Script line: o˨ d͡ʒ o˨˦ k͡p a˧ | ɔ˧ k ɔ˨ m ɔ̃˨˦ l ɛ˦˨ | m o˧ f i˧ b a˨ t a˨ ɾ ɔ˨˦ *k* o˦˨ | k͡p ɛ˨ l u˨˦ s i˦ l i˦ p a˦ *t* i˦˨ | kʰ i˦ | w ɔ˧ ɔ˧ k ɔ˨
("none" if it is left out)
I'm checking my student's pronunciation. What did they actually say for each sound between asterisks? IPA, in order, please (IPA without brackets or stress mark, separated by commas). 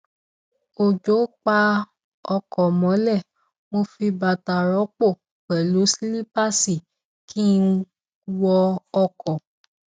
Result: k͡p, s